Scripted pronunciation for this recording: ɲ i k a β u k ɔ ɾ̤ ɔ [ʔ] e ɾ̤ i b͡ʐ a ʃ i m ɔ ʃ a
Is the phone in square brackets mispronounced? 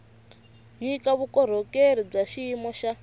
yes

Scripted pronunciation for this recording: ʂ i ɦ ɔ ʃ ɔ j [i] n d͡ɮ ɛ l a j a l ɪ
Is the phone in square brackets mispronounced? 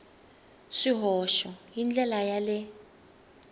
no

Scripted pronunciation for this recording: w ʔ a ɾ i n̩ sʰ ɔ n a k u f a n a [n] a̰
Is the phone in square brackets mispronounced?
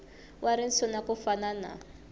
no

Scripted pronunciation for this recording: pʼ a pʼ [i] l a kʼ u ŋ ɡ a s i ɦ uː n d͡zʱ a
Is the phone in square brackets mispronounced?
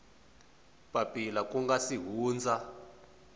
no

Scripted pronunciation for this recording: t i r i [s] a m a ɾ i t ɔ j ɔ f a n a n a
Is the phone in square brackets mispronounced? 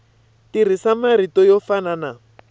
no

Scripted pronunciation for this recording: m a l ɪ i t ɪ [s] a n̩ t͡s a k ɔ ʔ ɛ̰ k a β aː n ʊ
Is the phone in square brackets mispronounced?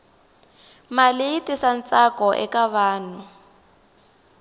no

